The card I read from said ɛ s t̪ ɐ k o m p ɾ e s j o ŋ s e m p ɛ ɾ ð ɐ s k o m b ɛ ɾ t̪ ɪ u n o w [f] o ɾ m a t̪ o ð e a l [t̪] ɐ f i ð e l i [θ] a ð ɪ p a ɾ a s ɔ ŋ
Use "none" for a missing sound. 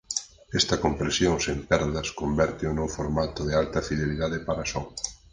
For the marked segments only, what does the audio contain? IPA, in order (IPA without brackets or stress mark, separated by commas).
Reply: f, t̪, ð